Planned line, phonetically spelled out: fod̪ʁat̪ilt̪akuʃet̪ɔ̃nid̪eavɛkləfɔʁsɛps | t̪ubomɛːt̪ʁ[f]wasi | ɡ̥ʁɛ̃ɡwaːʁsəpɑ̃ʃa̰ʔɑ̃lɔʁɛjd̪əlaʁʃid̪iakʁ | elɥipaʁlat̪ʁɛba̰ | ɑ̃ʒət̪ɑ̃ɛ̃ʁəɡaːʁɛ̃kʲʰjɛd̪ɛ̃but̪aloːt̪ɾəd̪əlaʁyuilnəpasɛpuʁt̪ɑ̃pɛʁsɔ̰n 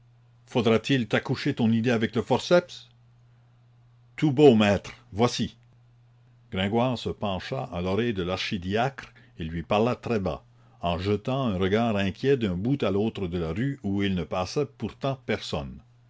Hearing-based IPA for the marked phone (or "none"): v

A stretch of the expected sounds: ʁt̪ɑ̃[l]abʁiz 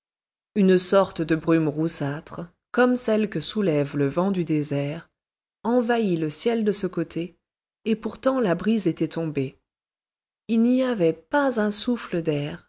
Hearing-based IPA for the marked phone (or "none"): l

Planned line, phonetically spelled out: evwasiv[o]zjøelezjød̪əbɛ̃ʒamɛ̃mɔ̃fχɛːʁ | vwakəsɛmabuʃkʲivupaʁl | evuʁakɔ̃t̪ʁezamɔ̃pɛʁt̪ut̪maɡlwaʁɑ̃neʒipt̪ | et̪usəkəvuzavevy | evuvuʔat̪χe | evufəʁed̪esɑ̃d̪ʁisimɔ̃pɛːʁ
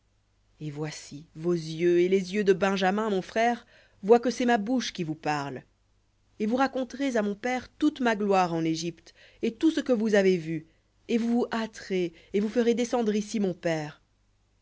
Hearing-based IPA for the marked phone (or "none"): o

